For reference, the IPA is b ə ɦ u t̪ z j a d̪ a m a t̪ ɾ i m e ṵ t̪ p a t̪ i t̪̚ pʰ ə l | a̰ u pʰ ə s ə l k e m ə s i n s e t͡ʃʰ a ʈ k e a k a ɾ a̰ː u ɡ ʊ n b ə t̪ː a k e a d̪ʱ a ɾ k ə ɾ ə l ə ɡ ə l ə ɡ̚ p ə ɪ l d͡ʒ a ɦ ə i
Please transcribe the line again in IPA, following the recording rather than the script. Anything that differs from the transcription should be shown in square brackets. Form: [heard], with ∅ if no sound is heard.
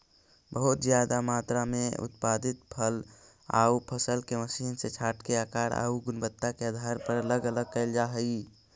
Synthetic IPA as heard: b ə ɦ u t̪ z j a d̪ a m a t̪ ɾ [a] m e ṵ t̪ p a [d̪] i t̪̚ pʰ ə l | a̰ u pʰ ə s ə l k e m ə s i n s e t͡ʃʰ a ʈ k e a k a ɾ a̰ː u ɡ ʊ n b ə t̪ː a k e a d̪ʱ a ɾ [p] ə ɾ ə l ə ɡ ə l ə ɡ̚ [k] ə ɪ l d͡ʒ a ɦ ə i